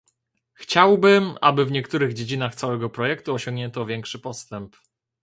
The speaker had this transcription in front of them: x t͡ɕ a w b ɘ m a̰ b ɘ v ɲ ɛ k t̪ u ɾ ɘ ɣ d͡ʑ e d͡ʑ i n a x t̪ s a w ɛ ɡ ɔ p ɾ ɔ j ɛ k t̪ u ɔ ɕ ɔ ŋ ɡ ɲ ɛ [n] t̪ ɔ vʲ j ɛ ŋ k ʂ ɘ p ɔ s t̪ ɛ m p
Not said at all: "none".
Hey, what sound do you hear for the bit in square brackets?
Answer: n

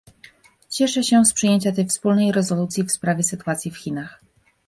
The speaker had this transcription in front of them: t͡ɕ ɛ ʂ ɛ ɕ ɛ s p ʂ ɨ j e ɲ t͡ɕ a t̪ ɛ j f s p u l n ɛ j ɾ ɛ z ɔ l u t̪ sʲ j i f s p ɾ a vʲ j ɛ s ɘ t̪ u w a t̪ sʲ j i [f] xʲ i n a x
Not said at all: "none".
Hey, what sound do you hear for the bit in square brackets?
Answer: f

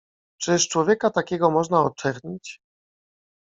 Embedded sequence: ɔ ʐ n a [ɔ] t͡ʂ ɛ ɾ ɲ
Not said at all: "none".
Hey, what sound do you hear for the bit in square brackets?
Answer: ɔ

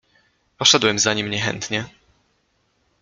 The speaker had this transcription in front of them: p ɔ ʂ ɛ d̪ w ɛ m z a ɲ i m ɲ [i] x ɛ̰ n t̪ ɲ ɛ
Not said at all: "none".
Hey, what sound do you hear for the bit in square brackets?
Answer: ɛ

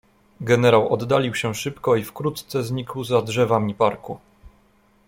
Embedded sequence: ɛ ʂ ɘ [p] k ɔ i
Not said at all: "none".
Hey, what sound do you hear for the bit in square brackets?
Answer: p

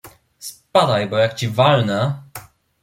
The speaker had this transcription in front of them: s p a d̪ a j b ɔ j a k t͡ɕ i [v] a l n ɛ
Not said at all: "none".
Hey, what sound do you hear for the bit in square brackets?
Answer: v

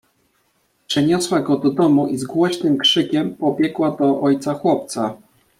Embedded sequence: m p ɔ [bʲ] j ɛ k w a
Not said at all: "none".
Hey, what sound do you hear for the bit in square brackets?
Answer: bʲ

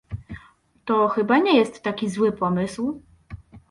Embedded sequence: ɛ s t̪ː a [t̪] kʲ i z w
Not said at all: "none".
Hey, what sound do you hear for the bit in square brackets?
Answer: none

